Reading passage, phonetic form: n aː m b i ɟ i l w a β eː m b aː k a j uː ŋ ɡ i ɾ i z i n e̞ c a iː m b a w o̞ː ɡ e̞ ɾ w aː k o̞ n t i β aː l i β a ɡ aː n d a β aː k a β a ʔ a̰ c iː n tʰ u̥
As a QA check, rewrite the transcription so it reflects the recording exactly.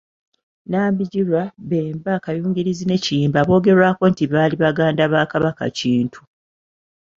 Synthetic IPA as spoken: n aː m b i ɟ i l w a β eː m b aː k a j uː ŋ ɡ i ɾ i z i n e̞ c i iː m b a β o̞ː ɡ e̞ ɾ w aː k o̞ n t i β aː l i β a ɡ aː n d a β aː k a β a k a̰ c iː n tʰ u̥